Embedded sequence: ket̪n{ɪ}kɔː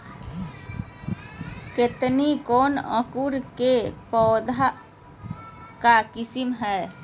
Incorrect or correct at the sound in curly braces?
incorrect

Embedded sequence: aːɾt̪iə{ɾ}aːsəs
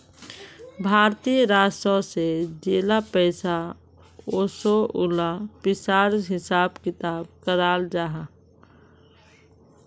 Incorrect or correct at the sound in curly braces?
correct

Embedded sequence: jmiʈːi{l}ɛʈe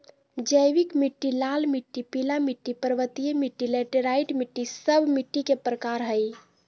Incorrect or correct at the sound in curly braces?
correct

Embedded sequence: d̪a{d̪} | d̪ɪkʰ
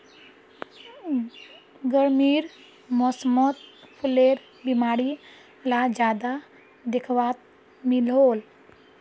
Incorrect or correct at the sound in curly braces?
incorrect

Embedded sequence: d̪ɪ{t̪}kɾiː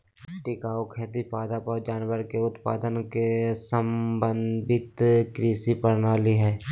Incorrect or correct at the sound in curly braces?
correct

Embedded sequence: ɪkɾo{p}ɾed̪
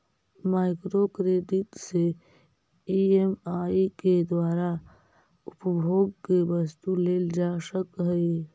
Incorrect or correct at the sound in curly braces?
incorrect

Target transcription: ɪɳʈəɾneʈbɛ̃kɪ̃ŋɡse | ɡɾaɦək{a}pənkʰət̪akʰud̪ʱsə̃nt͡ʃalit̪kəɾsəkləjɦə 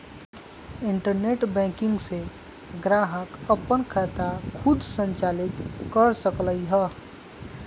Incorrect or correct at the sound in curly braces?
incorrect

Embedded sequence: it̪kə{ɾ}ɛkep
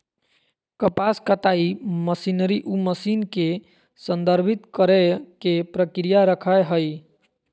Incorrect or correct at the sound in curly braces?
correct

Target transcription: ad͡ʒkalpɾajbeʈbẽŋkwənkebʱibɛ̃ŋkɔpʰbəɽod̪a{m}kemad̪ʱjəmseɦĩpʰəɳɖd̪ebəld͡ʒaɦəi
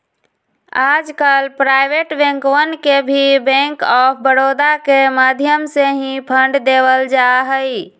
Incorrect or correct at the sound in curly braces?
incorrect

